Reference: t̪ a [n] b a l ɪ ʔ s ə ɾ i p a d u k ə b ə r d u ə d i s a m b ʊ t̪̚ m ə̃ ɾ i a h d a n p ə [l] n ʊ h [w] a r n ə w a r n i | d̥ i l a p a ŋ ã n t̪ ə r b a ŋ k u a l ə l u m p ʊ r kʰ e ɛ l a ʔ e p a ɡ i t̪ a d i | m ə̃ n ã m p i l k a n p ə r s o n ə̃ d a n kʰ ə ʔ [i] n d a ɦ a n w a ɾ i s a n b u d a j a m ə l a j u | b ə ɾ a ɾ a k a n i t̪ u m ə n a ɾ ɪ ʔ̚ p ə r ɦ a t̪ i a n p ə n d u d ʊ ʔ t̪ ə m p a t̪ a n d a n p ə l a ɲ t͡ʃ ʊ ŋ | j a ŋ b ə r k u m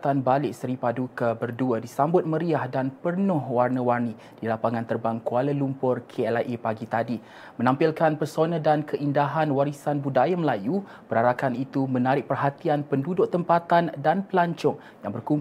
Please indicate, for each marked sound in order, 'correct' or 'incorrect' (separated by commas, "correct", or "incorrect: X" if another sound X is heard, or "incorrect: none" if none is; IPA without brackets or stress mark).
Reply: correct, incorrect: r, correct, correct